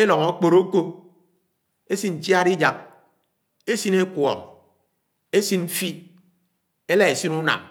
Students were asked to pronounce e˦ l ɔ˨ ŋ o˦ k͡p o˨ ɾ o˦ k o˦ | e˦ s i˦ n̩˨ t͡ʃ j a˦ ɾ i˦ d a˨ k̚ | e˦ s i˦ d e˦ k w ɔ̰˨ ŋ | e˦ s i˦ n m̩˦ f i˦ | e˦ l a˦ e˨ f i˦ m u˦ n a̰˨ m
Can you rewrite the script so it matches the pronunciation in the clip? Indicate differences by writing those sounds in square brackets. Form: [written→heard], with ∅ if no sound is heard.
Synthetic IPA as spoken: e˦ l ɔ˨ ŋ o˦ k͡p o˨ ɾ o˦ k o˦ | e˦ s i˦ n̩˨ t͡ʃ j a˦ ɾ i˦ [d→d͡ʒ] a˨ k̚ | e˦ s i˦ [d→n] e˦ k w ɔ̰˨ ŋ | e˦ s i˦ n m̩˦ f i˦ | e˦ l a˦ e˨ [f→s] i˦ [m→n] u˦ n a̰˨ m